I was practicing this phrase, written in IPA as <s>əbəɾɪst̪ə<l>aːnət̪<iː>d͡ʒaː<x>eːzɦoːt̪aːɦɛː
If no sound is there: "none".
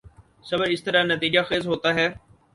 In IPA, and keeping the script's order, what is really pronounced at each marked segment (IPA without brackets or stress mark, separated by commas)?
s, ɾ, iː, x